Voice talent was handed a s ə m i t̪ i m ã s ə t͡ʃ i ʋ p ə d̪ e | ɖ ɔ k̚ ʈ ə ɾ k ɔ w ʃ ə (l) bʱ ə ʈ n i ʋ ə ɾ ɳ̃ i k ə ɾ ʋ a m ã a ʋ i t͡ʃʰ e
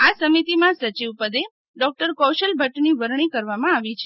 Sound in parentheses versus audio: correct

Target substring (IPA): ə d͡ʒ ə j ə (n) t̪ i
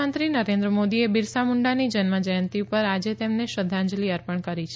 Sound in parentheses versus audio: correct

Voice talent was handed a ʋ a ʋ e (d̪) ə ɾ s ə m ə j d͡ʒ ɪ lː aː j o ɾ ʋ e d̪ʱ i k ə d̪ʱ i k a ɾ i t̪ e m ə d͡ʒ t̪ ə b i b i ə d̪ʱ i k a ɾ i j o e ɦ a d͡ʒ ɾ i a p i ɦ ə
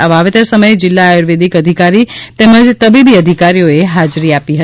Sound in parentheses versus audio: incorrect: t̪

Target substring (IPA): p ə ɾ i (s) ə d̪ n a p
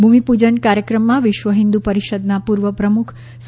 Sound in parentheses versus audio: incorrect: ʃ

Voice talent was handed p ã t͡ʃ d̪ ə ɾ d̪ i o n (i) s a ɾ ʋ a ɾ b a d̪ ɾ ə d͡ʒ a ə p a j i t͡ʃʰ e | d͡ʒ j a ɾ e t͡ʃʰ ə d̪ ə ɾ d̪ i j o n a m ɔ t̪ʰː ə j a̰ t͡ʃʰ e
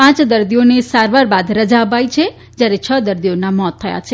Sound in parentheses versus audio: incorrect: e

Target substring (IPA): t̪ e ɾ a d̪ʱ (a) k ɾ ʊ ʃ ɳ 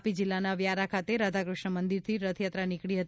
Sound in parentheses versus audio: correct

